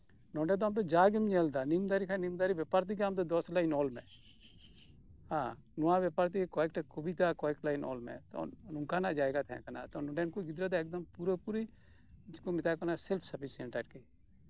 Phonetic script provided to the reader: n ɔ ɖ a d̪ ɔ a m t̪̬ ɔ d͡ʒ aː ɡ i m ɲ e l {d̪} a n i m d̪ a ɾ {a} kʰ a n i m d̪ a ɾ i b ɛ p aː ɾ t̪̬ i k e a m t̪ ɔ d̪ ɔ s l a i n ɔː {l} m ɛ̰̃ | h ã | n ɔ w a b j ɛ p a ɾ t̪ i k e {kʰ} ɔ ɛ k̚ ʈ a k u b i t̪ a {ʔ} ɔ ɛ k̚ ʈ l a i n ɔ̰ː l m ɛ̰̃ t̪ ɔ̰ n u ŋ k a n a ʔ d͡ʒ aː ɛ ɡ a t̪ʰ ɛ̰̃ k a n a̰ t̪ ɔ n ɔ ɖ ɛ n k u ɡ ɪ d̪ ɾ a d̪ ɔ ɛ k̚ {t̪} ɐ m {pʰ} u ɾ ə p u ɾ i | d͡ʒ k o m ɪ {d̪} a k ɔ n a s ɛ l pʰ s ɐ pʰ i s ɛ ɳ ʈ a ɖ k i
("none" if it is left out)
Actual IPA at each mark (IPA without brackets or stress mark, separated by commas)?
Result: d̪, i, l, k, k, d̪, p, t̪